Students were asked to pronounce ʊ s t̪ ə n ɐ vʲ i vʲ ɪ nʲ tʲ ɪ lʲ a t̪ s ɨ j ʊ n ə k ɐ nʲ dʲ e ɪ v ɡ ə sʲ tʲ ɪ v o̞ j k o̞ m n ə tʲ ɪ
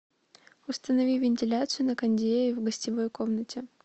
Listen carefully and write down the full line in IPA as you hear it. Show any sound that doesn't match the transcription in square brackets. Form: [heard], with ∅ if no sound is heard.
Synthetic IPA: ʊ s t̪ ə n ɐ vʲ i vʲ ɪ nʲ tʲ ɪ lʲ a t̪ s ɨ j ʊ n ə k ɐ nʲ dʲ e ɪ v ɡ ə sʲ tʲ ɪ v o̞ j k o̞ m n ə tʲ ɪ